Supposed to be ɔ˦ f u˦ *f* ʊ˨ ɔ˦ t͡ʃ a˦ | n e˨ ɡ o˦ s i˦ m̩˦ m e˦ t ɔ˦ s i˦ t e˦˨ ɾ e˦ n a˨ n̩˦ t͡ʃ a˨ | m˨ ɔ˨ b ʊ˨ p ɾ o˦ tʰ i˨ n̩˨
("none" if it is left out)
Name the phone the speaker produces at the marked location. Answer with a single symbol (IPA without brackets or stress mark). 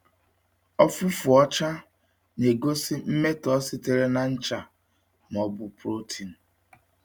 f